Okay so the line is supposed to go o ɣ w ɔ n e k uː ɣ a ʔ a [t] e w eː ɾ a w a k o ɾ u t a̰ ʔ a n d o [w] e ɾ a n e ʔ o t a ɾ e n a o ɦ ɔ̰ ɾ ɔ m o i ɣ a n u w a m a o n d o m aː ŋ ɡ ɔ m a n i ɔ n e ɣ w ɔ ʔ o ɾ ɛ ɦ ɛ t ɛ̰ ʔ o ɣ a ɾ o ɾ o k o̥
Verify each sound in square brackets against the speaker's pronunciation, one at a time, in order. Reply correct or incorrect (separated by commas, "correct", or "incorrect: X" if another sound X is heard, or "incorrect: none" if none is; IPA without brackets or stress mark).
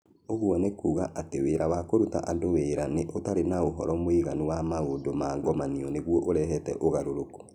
correct, correct